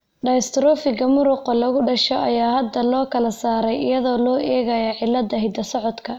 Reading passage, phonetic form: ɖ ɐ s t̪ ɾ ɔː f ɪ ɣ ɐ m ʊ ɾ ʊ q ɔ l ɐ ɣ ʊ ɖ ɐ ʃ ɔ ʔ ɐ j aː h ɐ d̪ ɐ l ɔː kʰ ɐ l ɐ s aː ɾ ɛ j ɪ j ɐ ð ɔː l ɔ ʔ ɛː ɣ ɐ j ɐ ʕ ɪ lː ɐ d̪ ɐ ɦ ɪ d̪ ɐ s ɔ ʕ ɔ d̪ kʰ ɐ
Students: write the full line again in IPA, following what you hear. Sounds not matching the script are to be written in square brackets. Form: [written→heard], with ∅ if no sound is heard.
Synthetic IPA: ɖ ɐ s t̪ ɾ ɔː f ɪ ɣ ɐ m ʊ ɾ ʊ q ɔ l ɐ ɣ ʊ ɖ ɐ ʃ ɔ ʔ ɐ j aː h ɐ d̪ ɐ l ɔː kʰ ɐ l ɐ s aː ɾ ɛ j ɪ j ɐ ð ɔː l [ɔ→ɔː] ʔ ɛː ɣ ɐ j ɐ ʕ ɪ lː ɐ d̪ ɐ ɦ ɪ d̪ ɐ s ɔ ʕ ɔ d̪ kʰ ɐ